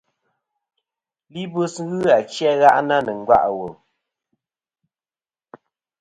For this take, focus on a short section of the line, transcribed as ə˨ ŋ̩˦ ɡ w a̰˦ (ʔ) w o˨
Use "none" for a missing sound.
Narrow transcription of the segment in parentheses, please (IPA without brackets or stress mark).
ʔ